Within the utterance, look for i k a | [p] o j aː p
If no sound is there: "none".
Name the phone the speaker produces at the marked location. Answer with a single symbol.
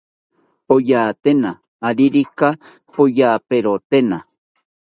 p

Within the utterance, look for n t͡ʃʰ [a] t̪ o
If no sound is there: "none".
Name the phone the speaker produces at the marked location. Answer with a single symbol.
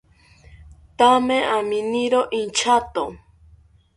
a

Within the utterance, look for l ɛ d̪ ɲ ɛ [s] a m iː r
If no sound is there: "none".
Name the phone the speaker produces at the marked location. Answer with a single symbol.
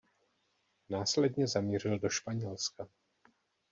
z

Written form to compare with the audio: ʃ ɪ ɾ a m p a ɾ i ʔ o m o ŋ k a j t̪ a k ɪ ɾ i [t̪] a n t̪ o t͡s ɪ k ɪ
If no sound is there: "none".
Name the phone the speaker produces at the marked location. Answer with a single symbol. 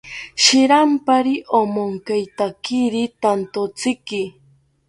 t̪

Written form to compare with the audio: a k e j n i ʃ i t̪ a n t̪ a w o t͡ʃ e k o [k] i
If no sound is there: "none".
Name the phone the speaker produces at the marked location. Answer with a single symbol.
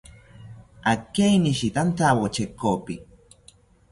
p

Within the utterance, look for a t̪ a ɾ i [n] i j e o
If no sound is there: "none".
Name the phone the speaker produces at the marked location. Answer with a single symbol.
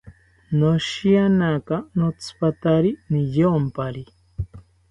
n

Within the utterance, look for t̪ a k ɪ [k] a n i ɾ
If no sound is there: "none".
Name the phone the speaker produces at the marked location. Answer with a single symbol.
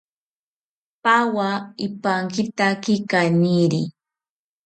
k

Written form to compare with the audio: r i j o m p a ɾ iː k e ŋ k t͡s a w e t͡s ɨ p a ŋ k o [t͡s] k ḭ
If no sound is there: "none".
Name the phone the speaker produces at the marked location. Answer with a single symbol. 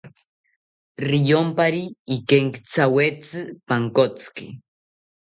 t͡s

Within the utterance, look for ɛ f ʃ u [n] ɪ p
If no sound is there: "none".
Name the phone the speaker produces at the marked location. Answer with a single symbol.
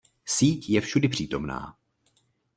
d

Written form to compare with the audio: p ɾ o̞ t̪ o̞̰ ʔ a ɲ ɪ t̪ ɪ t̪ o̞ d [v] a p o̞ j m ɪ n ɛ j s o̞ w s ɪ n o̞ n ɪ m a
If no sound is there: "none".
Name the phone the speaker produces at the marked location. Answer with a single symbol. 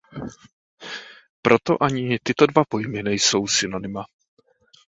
v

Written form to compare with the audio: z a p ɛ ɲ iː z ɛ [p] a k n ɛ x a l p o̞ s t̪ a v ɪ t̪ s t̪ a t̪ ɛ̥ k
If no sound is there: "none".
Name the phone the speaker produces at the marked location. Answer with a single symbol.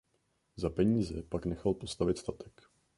p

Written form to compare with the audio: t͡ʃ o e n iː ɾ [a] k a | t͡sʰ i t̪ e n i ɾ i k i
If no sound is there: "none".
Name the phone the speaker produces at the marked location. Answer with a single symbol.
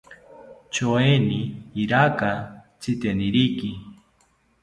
a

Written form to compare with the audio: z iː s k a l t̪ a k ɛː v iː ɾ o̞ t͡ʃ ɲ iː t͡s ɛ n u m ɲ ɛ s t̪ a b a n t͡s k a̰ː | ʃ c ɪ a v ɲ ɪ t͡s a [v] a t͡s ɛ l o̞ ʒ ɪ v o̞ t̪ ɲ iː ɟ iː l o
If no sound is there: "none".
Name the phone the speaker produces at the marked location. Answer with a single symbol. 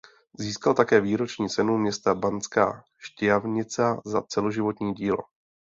z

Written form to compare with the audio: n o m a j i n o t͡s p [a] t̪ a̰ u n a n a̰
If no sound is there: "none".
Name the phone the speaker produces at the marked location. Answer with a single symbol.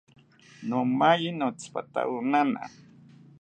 a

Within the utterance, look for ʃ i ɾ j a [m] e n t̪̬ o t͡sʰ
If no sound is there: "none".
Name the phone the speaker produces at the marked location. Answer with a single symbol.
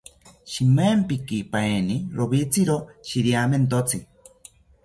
m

